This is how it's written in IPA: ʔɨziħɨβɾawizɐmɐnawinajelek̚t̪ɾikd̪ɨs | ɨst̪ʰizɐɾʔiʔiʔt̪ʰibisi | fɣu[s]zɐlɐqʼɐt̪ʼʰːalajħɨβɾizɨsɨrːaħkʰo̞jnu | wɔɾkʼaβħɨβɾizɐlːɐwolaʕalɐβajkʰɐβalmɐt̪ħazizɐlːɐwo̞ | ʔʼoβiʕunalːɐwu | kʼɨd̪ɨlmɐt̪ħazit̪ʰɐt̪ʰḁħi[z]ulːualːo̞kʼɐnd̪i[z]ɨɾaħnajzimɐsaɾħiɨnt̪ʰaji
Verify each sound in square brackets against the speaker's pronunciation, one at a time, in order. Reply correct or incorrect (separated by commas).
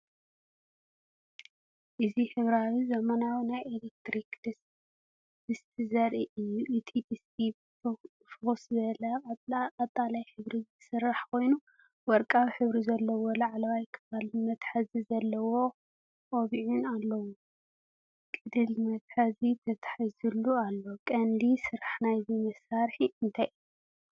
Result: correct, correct, incorrect